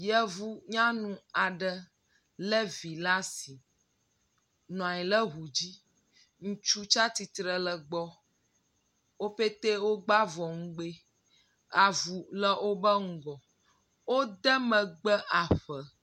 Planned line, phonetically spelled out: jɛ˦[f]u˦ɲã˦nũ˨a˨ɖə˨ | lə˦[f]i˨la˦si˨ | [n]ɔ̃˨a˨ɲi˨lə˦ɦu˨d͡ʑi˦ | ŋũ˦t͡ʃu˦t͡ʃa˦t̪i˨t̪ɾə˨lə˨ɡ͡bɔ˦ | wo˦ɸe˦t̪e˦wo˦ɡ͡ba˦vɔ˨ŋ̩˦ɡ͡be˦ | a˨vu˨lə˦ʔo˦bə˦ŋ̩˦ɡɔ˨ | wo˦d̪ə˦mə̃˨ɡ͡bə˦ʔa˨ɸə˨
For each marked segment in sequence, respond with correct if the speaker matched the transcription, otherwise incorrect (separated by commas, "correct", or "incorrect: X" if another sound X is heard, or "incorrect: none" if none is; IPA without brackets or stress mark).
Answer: incorrect: v, incorrect: v, correct